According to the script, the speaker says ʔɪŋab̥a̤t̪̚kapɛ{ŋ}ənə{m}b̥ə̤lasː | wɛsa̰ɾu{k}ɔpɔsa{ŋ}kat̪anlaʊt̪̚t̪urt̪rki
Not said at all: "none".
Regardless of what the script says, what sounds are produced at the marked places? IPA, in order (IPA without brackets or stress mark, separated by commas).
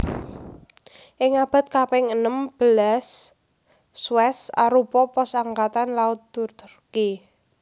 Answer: ŋ, m, p, ŋ